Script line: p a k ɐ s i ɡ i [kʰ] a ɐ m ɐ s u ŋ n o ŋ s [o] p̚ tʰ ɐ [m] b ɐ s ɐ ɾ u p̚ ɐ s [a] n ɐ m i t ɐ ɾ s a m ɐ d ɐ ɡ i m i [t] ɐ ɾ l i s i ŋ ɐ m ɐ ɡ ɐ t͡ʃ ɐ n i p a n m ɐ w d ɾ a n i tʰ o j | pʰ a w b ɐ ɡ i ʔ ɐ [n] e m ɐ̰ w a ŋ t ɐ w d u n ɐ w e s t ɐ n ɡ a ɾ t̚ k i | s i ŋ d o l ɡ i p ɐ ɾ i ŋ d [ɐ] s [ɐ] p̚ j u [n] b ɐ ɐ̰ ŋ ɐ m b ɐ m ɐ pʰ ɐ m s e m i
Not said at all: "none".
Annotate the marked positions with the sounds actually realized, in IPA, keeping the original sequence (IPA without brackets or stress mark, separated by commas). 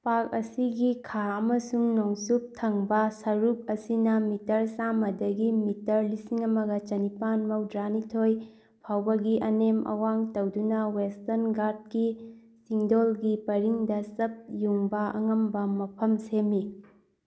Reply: kʰ, u, ŋ, i, t, n, ɐ, ɐ, ŋ